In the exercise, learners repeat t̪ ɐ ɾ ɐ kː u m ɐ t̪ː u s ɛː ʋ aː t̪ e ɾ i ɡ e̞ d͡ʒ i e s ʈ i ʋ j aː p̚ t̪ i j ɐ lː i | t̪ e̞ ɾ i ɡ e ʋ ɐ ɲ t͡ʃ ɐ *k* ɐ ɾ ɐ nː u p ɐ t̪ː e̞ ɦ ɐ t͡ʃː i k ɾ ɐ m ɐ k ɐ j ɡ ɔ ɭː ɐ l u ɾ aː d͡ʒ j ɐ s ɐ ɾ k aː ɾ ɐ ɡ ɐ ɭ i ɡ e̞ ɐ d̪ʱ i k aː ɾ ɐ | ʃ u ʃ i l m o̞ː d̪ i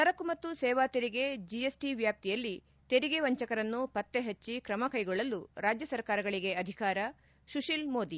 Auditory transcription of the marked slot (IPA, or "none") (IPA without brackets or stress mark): k